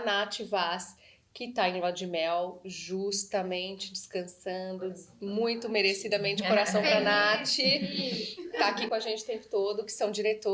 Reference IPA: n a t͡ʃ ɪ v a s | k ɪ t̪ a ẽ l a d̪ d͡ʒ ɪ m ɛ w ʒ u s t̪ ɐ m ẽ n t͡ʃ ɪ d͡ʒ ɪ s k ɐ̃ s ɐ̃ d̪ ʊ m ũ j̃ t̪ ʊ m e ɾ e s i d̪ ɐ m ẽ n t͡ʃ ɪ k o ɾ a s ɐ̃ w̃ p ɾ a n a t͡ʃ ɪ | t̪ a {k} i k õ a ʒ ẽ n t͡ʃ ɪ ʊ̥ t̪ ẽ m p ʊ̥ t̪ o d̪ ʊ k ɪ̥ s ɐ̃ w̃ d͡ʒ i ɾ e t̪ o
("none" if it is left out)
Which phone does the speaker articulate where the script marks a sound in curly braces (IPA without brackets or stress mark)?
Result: k